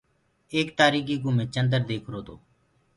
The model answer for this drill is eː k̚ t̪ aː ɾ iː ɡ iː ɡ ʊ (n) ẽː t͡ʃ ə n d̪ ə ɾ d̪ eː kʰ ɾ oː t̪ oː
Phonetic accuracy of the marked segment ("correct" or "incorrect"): incorrect